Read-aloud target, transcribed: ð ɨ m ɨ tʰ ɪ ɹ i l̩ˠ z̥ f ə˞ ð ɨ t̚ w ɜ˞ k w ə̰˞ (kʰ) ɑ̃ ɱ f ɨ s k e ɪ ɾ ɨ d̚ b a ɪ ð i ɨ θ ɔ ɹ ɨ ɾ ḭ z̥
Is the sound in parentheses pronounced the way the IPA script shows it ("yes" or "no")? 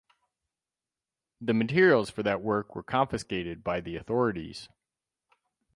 yes